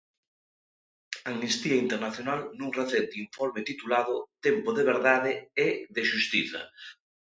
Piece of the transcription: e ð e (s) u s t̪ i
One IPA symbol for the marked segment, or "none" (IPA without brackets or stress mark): ʃ